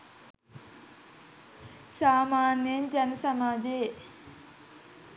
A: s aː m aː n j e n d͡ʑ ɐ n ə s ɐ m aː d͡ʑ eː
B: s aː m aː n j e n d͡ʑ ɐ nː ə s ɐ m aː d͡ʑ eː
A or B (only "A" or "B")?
A